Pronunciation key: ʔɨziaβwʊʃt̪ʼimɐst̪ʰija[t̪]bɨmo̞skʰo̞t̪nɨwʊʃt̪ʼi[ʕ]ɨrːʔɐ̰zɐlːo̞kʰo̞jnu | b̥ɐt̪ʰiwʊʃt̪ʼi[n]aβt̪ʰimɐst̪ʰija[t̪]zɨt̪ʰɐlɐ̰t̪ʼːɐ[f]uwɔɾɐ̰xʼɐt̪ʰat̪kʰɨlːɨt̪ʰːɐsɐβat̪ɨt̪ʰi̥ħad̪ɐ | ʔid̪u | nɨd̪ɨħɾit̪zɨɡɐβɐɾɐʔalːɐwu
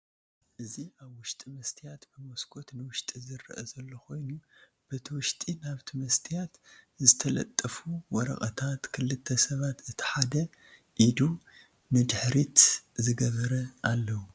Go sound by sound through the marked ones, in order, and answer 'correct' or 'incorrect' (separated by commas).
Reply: correct, incorrect, correct, correct, correct